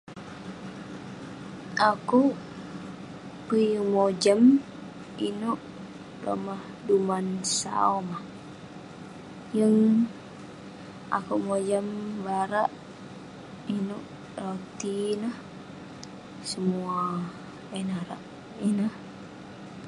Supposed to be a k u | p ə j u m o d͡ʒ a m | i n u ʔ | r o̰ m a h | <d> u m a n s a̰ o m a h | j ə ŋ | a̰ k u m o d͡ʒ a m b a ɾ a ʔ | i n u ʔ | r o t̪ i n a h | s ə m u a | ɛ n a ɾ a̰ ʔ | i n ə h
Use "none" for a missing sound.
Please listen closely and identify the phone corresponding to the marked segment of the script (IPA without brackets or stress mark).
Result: d